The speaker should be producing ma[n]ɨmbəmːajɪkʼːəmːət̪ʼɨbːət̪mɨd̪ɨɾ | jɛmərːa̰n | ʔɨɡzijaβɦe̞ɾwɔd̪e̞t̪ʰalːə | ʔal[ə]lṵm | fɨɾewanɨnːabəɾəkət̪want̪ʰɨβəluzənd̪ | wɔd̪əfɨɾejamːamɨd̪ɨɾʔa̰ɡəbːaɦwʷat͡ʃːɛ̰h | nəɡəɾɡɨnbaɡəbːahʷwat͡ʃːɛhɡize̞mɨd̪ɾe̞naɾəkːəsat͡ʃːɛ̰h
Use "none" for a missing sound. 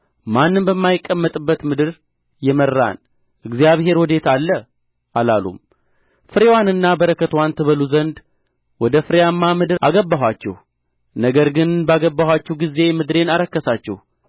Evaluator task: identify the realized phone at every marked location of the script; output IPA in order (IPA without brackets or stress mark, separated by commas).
nː, a